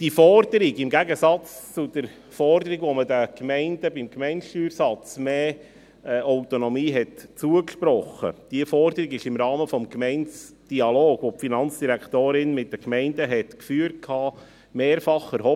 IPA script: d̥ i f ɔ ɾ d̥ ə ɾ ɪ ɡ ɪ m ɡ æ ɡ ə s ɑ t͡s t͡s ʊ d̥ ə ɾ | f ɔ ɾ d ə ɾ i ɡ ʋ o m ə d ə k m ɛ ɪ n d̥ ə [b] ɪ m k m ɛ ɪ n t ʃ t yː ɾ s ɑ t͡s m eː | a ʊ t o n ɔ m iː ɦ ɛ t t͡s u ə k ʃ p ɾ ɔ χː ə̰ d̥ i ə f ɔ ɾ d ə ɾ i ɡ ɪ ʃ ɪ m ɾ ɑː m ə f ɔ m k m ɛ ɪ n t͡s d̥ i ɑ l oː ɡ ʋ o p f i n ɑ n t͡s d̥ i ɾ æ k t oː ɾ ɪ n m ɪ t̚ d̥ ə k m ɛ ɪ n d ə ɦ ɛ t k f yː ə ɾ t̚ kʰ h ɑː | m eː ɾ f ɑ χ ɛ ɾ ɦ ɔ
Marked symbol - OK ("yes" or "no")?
yes